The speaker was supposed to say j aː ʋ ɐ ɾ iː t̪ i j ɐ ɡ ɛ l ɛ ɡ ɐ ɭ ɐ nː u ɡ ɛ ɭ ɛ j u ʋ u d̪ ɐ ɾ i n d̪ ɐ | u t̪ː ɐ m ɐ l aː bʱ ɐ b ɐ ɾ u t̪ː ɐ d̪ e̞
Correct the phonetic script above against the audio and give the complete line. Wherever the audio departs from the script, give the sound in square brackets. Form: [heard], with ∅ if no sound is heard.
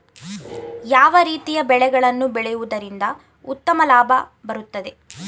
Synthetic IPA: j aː ʋ ɐ ɾ iː t̪ i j ɐ [b] ɛ [ɭ] ɛ ɡ ɐ ɭ ɐ nː u [b] ɛ ɭ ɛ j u ʋ u d̪ ɐ ɾ i n d̪ ɐ | u t̪ː ɐ m ɐ l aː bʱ ɐ b ɐ ɾ u t̪ː ɐ d̪ e̞